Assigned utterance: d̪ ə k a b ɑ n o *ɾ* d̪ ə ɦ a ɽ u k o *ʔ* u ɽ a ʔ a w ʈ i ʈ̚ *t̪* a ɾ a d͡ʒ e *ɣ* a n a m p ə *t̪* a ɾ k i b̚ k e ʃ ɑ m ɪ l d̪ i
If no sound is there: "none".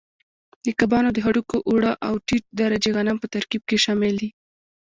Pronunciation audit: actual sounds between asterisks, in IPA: none, ʔ, d̪, ɣ, t̪

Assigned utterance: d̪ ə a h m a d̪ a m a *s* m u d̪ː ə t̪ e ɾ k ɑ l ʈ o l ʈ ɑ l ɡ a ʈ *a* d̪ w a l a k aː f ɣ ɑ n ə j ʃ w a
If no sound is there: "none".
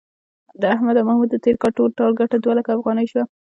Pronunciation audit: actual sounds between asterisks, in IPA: h, a

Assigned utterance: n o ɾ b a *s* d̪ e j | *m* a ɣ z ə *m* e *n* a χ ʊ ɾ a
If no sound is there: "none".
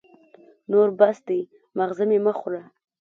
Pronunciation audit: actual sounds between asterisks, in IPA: s, m, m, m

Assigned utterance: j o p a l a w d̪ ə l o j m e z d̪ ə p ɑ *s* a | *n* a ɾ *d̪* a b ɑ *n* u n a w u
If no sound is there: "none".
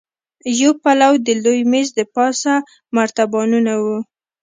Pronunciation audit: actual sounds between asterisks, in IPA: s, m, t̪, n

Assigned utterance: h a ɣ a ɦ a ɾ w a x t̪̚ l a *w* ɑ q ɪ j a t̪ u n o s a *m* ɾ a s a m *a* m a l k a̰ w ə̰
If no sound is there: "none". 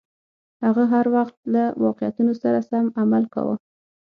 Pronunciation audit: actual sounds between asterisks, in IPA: w, none, a

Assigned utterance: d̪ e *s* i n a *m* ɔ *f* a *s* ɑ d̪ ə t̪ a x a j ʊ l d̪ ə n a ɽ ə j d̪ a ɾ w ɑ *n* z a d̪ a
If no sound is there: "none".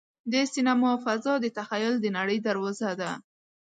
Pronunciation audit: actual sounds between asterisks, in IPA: s, m, f, z, none

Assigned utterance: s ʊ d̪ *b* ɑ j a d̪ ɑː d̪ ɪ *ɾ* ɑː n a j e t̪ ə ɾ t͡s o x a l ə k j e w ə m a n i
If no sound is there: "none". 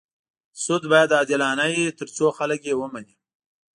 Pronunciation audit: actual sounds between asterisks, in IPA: b, l

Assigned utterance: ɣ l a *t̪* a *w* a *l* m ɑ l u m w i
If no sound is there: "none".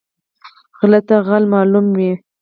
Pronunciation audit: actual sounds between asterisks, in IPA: t̪, ɣ, l

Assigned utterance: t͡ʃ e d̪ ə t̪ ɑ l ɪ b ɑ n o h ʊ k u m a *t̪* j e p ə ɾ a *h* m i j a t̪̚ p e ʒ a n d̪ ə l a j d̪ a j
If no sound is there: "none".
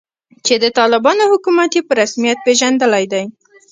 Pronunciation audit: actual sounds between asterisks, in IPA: t̪, s

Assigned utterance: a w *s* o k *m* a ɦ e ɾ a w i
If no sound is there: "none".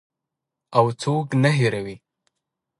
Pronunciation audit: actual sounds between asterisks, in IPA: t͡s, n

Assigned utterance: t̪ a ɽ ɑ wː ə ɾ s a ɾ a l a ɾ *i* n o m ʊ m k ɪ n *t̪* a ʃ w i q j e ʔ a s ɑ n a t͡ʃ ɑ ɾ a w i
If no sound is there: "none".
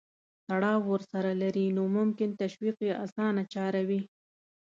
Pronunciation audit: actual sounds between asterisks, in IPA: i, t̪

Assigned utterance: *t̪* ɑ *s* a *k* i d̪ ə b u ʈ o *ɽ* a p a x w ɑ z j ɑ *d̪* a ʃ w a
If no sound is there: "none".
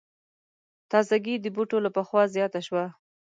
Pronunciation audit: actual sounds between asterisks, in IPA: t̪, z, ɡ, l, t̪

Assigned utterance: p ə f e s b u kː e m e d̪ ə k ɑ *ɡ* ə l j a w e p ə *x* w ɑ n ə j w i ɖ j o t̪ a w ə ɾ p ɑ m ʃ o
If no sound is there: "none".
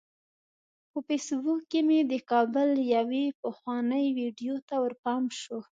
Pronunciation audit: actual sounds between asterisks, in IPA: b, x

